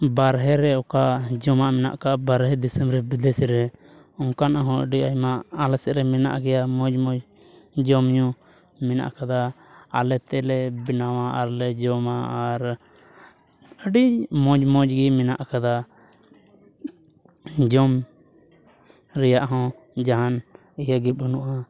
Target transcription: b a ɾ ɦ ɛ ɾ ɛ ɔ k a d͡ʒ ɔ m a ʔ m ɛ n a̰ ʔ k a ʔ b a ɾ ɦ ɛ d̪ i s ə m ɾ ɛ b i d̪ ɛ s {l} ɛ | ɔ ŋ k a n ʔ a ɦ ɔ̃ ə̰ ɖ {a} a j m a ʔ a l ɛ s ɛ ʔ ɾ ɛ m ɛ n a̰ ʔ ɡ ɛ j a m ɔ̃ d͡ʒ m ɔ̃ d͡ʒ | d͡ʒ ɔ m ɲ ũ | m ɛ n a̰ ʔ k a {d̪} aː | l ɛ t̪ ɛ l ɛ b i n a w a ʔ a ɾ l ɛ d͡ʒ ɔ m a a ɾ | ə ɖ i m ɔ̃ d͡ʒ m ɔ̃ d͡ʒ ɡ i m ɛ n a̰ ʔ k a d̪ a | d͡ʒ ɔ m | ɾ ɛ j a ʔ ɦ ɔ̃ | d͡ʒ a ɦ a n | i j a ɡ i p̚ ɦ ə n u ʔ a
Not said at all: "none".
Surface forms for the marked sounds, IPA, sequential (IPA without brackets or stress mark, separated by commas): ɾ, i, d̪